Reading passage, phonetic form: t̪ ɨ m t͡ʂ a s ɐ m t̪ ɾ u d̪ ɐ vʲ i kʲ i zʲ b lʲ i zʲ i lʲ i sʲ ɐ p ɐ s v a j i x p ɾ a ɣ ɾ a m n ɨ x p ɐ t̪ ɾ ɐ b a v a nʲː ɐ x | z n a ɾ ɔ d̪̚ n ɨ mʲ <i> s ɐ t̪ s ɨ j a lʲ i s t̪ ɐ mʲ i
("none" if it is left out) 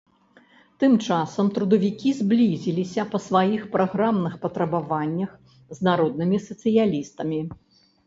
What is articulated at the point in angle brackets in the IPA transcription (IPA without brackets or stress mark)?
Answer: i